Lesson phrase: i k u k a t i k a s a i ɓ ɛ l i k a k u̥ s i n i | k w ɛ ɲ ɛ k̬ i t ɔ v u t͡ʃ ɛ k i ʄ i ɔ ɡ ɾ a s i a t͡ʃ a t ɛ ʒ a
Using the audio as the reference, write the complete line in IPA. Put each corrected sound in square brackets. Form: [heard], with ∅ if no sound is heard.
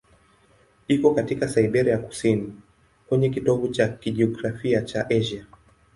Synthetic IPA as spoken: i k [ɔ] k a t i k a s a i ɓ ɛ [ɾ] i [∅] a k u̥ s i n i | k w ɛ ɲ ɛ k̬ i t ɔ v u t͡ʃ [a] k i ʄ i ɔ ɡ ɾ a [f] i a t͡ʃ a [ʔ] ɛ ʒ a